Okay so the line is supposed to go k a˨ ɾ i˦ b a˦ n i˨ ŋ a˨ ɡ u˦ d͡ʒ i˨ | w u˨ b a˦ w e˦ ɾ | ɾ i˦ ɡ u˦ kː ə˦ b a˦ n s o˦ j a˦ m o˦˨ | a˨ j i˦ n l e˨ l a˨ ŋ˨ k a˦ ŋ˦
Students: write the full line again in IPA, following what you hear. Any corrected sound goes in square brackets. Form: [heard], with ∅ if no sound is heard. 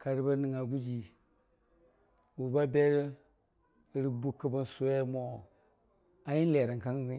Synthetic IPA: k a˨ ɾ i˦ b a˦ n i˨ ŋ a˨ ɡ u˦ d͡ʒ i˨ | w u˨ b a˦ [b] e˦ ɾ | ɾ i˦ [b] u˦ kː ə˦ b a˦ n s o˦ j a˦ m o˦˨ | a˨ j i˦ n l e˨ [ɾ] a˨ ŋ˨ k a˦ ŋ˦